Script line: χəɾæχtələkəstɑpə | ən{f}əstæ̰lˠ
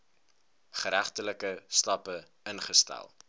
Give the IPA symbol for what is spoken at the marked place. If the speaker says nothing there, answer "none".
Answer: χ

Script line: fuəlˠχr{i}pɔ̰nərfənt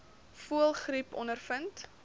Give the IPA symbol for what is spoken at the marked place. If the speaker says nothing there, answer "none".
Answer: i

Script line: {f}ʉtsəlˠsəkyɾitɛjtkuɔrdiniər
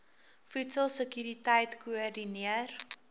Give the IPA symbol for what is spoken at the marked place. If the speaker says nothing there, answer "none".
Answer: f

